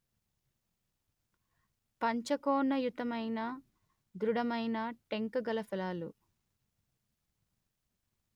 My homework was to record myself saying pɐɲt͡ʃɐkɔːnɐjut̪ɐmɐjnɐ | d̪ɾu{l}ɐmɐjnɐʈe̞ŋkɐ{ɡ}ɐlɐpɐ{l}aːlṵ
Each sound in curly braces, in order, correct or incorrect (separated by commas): incorrect, correct, correct